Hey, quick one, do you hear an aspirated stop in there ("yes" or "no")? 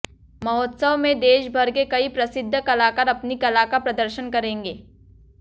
no